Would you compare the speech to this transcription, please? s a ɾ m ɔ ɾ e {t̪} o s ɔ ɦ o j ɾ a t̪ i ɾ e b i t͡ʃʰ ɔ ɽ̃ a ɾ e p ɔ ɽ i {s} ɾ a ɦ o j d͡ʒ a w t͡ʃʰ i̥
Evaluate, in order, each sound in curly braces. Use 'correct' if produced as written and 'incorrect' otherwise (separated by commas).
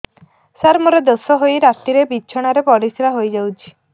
incorrect, correct